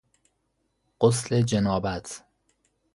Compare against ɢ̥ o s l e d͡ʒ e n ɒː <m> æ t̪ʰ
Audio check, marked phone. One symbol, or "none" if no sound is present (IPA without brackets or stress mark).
b